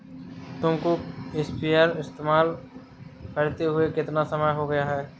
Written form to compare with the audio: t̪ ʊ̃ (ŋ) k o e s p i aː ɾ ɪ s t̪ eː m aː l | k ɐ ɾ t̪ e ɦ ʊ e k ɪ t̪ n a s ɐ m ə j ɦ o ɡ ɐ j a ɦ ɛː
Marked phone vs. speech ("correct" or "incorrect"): incorrect